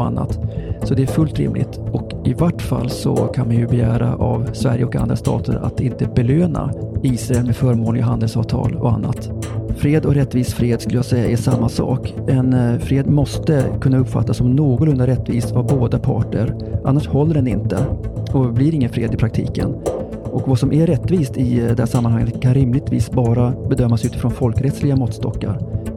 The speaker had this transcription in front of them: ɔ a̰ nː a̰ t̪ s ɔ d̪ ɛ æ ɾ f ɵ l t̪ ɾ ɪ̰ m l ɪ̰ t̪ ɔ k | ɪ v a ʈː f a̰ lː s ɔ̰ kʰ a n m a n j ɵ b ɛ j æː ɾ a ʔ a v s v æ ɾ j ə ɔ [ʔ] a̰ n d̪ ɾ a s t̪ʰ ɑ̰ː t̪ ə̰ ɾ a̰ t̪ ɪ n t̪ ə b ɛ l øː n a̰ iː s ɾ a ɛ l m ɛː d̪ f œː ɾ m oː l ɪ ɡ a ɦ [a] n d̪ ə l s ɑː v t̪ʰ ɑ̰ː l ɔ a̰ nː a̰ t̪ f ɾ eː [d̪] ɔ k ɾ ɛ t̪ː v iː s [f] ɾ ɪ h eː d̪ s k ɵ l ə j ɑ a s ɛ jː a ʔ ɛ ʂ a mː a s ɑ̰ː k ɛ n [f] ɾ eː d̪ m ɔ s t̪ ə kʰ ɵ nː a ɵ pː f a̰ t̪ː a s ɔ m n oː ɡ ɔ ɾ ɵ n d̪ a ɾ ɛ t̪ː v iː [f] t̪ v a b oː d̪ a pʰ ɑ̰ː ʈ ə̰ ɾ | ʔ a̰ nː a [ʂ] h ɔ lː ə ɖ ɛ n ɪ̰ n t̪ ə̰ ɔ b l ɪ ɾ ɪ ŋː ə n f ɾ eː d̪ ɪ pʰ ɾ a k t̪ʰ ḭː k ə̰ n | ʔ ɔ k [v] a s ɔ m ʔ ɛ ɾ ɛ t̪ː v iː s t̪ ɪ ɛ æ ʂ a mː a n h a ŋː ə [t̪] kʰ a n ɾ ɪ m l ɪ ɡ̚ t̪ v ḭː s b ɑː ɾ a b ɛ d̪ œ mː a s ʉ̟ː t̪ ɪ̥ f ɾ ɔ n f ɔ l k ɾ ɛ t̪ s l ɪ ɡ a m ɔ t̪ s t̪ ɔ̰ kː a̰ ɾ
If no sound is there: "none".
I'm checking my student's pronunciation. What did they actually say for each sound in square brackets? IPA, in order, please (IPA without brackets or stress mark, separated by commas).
k, a, d̪, f, f, s, ʂ, v, t̪